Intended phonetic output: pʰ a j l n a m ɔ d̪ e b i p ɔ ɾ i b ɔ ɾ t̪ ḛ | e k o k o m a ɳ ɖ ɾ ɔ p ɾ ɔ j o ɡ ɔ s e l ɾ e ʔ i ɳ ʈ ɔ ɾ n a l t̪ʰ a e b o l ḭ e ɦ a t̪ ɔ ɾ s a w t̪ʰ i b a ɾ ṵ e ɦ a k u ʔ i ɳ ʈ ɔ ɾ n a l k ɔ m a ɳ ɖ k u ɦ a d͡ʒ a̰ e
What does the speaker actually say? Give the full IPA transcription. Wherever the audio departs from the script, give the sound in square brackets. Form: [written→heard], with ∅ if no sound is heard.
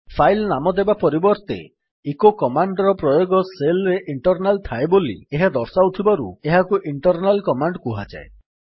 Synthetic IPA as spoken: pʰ a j l n a m ɔ d̪ e b [i→a] p ɔ ɾ i b ɔ ɾ t̪ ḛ | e k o k [o→ɔ] m a ɳ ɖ ɾ ɔ p ɾ ɔ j o ɡ ɔ s e l ɾ e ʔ i ɳ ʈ ɔ ɾ n a l t̪ʰ a e b o l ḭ e ɦ a [t̪→d̪] ɔ ɾ s a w t̪ʰ i b a ɾ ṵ e ɦ a k u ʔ i ɳ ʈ ɔ ɾ n a l k ɔ m a ɳ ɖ k u ɦ a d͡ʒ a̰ e

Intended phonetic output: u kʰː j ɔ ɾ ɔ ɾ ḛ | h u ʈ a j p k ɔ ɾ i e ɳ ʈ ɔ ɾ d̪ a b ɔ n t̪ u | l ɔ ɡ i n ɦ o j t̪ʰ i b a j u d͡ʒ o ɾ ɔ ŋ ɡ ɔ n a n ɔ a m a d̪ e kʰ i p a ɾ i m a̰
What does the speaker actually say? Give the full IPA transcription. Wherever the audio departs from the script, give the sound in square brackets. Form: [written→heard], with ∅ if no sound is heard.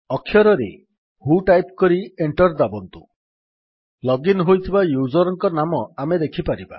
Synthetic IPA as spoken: [u→ɔ] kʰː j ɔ ɾ ɔ ɾ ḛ | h u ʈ a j p k ɔ ɾ i e ɳ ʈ ɔ ɾ d̪ a b ɔ n t̪ u | l ɔ ɡ i n ɦ o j t̪ʰ i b a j u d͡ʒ [o→ɔ] ɾ ɔ ŋ [ɡ→k] ɔ n a [n→m] ɔ a m [a→e] d̪ e kʰ i p a ɾ i [m→b] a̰

